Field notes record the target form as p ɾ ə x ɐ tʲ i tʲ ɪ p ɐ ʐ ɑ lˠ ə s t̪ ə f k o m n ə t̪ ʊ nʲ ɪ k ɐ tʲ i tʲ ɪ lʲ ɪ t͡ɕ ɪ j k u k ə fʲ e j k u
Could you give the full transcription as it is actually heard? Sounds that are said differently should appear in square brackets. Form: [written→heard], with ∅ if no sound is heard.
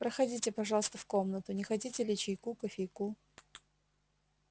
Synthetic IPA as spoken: p ɾ ə x ɐ [tʲ→dʲ] i tʲ ɪ p ɐ ʐ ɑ lˠ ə s t̪ ə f k o m n ə t̪ ʊ nʲ ɪ [k→x] ɐ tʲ i tʲ ɪ lʲ ɪ t͡ɕ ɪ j k u k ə fʲ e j k u